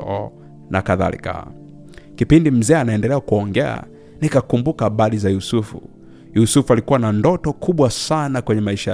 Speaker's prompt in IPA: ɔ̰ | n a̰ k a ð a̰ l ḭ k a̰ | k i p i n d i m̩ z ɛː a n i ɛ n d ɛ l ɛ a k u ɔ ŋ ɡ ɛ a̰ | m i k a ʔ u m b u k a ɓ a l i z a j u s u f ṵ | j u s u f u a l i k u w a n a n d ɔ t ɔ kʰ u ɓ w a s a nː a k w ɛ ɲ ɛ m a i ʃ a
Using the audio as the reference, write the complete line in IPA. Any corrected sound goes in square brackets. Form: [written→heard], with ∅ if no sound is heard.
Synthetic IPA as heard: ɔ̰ | n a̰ k a ð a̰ l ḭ k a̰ | k i p i n d i m̩ z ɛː a n [i→a] ɛ n d ɛ l ɛ a k u ɔ ŋ ɡ ɛ a̰ | [m→n] i k a [ʔ→k] u m b u k a ɓ a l i z a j u s u f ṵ | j u s u f u a l i k u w a n a n d ɔ t ɔ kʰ u ɓ w a s a [nː→n] a k w ɛ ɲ ɛ m a i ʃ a